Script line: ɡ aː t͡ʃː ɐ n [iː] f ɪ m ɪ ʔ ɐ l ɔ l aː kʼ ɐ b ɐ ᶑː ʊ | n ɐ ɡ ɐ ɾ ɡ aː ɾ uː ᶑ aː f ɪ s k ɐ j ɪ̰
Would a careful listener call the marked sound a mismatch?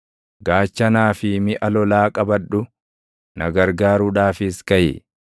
yes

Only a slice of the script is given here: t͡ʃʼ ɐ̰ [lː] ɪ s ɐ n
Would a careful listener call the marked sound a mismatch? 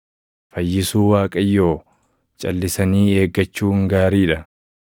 no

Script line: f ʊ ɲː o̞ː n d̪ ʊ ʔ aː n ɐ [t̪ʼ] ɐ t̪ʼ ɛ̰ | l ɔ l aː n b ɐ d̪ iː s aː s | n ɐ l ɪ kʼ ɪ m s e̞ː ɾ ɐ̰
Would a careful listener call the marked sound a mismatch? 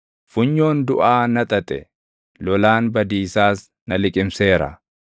no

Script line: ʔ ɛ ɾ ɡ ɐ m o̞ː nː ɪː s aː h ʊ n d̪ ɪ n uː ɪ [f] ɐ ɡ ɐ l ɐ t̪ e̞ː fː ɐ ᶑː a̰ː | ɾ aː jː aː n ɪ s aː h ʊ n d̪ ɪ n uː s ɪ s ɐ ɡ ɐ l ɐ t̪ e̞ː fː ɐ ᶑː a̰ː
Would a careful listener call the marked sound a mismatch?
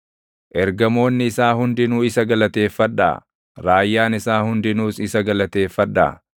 yes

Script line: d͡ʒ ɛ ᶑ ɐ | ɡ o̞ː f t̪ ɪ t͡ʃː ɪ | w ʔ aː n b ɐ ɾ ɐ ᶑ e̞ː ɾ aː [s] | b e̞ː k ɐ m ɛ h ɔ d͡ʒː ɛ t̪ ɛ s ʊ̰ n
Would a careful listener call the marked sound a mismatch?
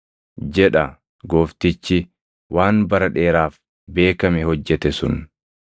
yes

